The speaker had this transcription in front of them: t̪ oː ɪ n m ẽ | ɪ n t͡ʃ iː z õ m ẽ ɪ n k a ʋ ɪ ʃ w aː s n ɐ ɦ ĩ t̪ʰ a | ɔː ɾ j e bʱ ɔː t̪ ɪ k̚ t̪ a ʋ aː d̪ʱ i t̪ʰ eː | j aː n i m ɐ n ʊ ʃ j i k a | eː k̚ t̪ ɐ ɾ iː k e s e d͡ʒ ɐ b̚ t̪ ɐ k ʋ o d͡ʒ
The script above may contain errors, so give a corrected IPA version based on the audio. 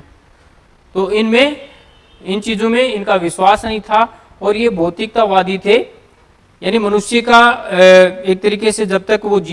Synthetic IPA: t̪ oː ɪ n m ẽ | ɪ n t͡ʃ iː z õ m ẽ ɪ n k a ʋ ɪ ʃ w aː s n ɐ ɦ ĩ t̪ʰ a | ɔː ɾ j e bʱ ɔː t̪ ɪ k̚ t̪ a ʋ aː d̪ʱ i t̪ʰ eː | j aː n i m ɐ n ʊ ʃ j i k a | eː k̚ t̪ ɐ ɾ iː k e s e d͡ʒ ɐ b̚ t̪ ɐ k ʋ o d͡ʒ